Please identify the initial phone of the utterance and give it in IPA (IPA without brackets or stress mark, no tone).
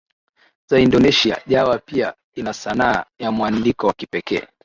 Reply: z